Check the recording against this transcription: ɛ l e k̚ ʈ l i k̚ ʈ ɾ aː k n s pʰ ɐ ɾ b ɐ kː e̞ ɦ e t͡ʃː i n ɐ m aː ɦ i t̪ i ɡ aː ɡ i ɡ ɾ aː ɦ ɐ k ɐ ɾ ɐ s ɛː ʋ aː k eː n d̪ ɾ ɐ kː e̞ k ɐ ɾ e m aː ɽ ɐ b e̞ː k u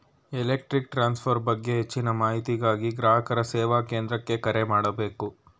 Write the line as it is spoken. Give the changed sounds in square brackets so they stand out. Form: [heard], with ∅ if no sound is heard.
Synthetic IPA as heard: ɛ l e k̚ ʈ [ɾ] i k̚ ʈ ɾ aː [∅] n s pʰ ɐ ɾ b ɐ [ɡː] e̞ ɦ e t͡ʃː i n ɐ m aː ɦ i t̪ i ɡ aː ɡ i ɡ ɾ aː ɦ ɐ k ɐ ɾ ɐ s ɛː ʋ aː k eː n d̪ ɾ ɐ kː e̞ k ɐ ɾ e m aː ɽ ɐ b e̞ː k u